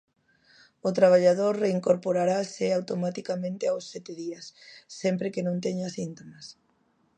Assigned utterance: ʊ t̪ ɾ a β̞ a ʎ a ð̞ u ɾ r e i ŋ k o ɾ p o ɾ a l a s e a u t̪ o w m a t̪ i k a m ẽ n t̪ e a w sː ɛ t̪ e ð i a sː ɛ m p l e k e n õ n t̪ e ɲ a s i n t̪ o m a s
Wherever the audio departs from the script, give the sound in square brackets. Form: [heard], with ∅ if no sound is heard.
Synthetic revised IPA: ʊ t̪ ɾ a β̞ a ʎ a ð̞ [o] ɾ r e i ŋ k o ɾ p o ɾ a [ɾ] a s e a [w] t̪ o [∅] m a t̪ i k a m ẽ n t̪ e a w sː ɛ t̪ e ð i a sː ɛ m p [ɾ] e k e n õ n t̪ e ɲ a s i n t̪ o m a s